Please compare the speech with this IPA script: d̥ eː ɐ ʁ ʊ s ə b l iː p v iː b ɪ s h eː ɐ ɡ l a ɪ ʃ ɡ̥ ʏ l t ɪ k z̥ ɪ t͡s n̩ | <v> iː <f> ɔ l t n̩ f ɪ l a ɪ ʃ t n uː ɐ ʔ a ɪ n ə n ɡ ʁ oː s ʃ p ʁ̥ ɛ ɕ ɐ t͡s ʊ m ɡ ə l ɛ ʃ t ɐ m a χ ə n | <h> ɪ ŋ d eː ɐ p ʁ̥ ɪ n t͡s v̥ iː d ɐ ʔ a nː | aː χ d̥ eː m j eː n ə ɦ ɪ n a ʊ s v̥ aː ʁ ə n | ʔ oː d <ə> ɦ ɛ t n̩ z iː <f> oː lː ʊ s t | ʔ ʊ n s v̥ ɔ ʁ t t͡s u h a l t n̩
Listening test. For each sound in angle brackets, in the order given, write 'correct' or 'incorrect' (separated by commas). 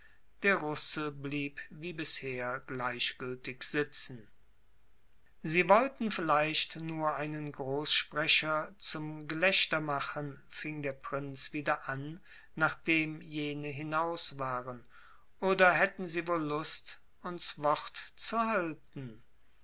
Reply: incorrect, incorrect, incorrect, incorrect, incorrect